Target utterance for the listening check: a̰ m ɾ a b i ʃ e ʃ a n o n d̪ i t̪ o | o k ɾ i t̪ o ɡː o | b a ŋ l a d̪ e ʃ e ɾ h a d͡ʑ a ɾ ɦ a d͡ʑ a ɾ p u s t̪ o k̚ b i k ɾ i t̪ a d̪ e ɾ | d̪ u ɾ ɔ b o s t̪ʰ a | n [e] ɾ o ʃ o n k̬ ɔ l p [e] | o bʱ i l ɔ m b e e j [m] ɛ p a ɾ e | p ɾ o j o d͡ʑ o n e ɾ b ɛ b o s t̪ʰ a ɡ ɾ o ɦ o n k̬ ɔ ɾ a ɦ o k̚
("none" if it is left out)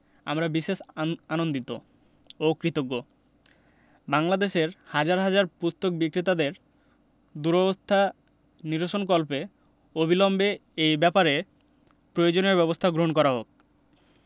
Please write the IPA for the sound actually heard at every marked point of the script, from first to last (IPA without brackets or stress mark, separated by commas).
i, e, b